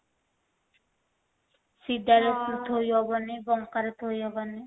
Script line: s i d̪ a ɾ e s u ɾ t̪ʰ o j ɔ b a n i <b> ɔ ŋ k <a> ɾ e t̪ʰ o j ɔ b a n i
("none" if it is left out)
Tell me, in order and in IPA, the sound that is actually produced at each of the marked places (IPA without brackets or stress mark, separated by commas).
b, a